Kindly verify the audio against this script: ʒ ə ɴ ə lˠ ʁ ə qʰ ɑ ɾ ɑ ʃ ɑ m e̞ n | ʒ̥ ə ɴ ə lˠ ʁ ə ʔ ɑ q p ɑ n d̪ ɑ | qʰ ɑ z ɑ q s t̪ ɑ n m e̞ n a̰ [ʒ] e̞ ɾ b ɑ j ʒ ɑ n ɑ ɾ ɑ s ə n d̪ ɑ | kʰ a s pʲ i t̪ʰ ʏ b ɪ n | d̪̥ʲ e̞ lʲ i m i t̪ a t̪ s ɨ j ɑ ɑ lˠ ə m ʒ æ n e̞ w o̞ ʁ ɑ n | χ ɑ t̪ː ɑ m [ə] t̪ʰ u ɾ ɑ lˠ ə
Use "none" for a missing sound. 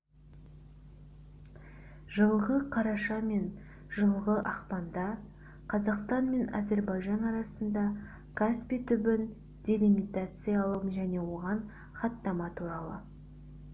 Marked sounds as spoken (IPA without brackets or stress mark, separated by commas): z, ɑ